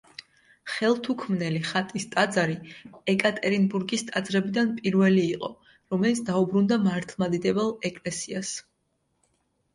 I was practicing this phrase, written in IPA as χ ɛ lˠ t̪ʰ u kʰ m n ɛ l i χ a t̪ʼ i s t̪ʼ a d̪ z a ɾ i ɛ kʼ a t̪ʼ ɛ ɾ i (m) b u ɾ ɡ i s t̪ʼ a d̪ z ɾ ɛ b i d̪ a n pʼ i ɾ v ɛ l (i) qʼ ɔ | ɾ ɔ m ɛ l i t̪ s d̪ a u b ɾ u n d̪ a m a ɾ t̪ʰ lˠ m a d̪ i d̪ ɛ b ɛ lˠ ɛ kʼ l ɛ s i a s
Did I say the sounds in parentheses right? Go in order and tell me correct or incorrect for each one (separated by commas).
incorrect, incorrect